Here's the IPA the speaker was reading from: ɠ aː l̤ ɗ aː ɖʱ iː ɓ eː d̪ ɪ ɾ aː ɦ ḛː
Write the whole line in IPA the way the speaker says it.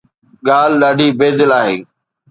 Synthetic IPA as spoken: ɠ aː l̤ ɗ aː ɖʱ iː b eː d̪ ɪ l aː ɦ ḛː